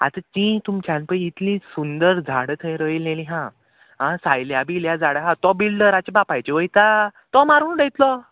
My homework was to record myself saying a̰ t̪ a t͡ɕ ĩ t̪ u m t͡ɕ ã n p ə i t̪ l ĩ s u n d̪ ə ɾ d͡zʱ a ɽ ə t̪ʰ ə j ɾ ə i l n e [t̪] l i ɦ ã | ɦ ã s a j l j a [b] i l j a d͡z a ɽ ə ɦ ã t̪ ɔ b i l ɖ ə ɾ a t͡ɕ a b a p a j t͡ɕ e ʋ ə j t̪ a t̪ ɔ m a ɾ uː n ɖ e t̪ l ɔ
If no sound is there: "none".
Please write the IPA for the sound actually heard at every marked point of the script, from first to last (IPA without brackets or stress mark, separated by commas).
none, b